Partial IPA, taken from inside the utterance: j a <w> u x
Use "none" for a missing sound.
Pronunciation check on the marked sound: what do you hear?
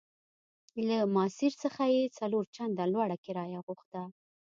ɣ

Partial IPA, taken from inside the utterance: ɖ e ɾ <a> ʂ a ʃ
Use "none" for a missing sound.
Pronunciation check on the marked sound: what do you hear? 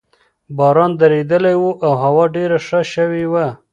a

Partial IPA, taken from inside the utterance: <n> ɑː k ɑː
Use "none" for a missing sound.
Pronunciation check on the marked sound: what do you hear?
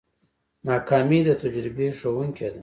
n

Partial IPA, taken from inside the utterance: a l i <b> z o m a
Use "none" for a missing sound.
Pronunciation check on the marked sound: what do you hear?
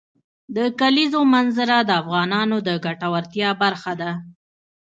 none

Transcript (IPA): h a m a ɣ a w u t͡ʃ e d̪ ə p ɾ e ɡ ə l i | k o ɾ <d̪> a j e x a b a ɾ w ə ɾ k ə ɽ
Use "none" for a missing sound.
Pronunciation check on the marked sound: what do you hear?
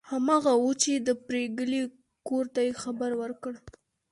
t̪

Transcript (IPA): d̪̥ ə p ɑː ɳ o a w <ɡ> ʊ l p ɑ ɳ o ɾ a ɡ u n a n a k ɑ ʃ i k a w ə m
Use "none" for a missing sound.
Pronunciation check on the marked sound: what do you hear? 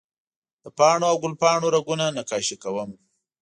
ɡ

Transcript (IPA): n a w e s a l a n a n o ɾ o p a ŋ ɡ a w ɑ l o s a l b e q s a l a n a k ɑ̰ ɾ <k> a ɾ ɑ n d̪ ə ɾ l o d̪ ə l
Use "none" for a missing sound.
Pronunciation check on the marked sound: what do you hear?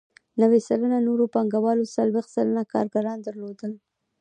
ɡ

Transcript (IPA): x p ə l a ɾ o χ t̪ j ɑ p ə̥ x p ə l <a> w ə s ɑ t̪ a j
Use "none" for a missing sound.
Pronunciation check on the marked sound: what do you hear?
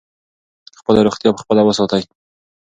a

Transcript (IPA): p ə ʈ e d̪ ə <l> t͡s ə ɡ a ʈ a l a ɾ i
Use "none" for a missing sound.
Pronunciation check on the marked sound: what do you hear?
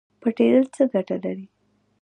l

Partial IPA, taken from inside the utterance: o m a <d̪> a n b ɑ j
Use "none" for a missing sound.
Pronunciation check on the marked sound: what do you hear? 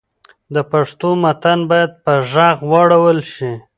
t̪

